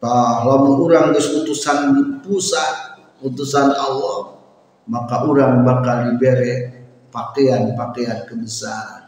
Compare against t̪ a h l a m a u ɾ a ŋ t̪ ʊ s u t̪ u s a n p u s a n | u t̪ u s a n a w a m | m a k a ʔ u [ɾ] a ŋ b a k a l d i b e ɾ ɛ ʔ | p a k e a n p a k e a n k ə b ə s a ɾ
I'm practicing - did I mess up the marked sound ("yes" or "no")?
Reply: no